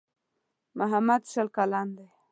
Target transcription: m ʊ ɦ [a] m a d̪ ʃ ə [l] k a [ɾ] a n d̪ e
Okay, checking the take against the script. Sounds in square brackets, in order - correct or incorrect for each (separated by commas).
correct, correct, incorrect